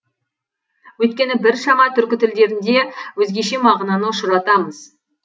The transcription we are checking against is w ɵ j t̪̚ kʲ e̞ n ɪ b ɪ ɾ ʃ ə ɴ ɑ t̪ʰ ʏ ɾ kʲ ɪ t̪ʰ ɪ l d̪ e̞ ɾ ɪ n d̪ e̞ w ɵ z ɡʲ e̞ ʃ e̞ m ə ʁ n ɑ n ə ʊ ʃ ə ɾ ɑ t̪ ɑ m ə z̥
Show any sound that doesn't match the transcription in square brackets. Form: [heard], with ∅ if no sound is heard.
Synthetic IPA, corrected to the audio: w ɵ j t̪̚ kʲ e̞ n ɪ b ɪ ɾ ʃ [ɑ] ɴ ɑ t̪ʰ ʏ ɾ kʲ ɪ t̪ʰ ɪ l d̪ e̞ ɾ ɪ n d̪ e̞ w ɵ z ɡʲ e̞ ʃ e̞ m [ɑ] ʁ n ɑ n ə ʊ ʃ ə ɾ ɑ t̪ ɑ m ə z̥